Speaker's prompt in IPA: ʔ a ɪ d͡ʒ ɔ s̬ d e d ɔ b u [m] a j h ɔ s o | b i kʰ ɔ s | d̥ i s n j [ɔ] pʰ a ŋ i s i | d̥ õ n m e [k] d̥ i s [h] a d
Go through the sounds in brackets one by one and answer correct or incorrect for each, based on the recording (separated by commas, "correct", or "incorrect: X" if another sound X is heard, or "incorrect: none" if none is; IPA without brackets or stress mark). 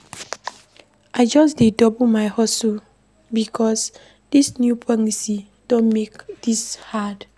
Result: correct, incorrect: u, correct, correct